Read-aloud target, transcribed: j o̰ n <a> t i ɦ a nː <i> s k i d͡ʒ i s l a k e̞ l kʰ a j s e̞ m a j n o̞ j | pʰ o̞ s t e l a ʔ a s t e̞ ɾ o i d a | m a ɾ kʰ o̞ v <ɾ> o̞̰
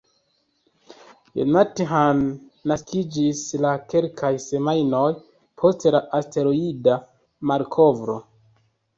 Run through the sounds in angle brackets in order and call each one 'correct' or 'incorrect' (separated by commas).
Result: correct, incorrect, correct